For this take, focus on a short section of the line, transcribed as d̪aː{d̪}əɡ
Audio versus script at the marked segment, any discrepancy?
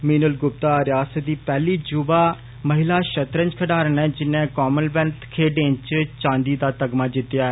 yes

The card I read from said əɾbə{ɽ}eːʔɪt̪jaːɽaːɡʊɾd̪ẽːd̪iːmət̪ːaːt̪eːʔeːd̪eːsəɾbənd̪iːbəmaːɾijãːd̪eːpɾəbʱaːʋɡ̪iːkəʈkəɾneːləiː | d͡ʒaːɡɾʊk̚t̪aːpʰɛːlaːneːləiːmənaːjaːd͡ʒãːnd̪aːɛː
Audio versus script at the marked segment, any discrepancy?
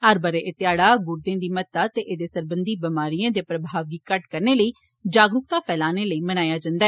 yes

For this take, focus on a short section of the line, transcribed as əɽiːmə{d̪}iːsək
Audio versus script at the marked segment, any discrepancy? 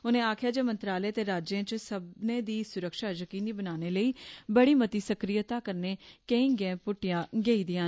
yes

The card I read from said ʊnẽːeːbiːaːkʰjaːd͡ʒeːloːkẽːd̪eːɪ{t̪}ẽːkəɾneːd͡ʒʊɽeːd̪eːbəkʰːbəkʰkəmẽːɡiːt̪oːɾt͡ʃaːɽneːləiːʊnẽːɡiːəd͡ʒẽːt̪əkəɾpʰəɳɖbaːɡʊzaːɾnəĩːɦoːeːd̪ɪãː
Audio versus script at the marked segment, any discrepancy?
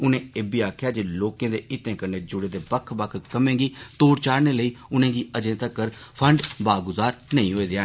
no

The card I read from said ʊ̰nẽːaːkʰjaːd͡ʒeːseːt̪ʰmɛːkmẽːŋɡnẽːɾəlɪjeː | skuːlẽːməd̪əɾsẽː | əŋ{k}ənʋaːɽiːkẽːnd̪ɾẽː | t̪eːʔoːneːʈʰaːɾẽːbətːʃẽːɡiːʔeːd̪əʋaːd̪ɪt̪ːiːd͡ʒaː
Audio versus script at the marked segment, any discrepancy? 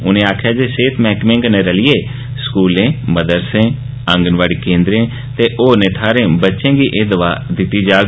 yes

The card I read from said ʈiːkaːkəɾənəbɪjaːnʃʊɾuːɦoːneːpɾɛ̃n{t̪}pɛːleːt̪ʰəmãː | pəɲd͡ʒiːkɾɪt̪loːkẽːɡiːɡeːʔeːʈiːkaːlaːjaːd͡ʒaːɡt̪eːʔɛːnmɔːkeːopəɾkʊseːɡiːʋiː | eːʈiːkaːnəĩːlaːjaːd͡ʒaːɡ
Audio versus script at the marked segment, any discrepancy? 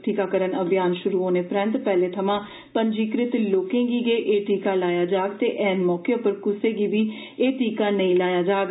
no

